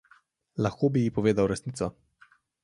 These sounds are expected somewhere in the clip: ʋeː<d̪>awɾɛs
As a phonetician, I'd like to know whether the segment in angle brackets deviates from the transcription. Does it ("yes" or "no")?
no